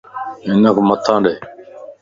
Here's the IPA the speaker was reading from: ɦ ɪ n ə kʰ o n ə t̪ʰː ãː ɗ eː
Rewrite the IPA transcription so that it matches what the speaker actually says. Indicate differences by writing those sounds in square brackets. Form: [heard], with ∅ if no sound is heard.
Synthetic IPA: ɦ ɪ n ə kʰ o [m] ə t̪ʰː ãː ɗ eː